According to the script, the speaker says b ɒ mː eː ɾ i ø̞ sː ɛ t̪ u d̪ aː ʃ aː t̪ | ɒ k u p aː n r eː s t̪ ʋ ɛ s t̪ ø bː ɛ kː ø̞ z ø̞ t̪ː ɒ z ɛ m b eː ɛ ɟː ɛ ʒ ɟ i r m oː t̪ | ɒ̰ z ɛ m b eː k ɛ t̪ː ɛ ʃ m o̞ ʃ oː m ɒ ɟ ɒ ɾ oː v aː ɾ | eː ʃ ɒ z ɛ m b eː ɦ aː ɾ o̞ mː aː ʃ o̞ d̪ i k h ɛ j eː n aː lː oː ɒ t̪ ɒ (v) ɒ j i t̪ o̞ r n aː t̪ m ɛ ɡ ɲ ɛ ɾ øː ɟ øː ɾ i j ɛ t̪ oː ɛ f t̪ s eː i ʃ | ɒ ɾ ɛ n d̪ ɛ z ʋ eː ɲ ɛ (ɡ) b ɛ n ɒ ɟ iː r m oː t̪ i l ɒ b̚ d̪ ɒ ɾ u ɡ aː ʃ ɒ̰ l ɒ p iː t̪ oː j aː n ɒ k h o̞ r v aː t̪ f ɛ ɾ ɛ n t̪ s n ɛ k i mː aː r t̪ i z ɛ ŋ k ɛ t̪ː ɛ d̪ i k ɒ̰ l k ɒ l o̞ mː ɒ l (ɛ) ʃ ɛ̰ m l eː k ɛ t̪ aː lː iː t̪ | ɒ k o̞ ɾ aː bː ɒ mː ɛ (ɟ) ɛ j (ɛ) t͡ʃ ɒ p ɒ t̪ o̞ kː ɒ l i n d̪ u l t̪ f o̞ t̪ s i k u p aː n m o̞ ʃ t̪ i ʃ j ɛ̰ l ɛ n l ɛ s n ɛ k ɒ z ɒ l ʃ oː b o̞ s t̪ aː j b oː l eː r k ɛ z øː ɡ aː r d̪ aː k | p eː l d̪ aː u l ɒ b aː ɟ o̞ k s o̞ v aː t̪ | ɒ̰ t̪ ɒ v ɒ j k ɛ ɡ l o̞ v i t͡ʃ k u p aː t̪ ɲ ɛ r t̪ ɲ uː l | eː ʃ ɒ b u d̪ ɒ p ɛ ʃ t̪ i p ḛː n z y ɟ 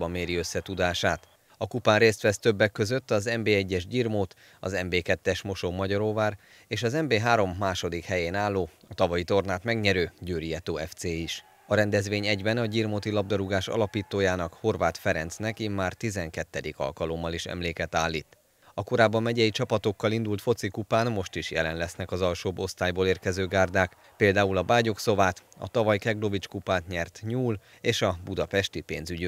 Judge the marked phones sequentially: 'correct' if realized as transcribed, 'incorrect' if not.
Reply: correct, incorrect: ɟ, incorrect: i, correct, incorrect: i

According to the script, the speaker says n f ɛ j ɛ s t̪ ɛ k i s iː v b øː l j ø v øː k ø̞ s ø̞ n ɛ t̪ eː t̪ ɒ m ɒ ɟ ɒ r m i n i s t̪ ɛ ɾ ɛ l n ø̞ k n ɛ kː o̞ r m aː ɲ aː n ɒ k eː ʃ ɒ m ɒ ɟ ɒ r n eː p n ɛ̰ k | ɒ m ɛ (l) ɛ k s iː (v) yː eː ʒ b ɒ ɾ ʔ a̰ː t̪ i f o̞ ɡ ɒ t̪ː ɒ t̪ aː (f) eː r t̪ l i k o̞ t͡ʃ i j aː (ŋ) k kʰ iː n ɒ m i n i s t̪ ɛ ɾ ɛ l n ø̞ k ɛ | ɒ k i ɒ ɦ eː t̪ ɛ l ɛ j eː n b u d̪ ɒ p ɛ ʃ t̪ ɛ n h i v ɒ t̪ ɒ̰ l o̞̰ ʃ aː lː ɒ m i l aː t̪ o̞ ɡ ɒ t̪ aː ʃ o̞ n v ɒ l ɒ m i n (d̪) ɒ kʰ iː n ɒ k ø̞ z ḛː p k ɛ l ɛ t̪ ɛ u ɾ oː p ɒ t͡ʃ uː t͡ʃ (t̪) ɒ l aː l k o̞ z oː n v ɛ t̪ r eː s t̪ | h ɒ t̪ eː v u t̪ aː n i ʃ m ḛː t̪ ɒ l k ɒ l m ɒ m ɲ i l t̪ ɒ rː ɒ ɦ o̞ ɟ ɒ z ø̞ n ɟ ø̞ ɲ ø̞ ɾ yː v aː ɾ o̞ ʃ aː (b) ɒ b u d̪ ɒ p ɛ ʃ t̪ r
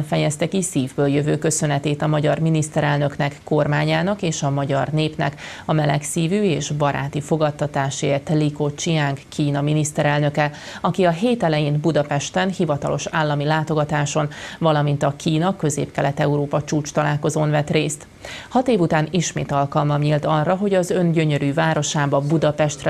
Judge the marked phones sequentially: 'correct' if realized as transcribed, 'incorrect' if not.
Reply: correct, correct, incorrect: ʃ, correct, incorrect: t̪, correct, correct

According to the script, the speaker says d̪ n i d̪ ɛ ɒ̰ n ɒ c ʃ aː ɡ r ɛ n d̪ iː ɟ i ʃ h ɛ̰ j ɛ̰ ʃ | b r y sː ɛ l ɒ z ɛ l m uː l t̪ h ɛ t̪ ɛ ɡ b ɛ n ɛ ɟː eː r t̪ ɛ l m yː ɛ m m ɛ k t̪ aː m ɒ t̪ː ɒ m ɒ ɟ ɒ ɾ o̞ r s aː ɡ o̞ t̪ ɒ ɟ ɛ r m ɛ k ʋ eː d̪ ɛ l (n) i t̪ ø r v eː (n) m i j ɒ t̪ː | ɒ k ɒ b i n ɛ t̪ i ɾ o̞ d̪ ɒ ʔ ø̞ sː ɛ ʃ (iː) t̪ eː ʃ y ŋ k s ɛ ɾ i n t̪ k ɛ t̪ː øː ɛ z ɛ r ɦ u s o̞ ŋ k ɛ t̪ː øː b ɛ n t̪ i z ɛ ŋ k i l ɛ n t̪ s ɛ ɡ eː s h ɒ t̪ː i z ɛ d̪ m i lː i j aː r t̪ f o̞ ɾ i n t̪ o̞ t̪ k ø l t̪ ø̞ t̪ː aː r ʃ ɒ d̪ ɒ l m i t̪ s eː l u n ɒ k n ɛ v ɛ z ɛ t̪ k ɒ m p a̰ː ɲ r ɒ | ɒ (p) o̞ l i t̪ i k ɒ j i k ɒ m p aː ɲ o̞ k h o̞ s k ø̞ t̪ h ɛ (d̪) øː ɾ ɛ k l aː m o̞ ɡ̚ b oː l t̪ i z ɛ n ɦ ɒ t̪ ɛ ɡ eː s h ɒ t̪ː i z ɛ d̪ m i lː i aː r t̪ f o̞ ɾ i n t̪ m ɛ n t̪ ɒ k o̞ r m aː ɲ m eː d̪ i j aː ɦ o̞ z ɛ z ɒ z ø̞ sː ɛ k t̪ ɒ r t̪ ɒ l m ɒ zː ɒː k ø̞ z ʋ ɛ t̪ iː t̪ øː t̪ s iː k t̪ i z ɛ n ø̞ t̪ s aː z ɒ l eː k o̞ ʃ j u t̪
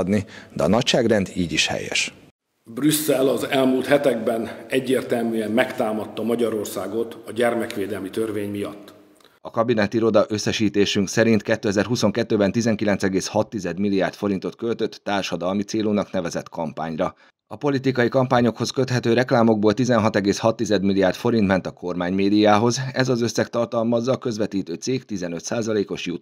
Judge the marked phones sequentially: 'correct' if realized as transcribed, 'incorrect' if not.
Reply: incorrect: m, incorrect: ɲ, correct, correct, incorrect: t̪

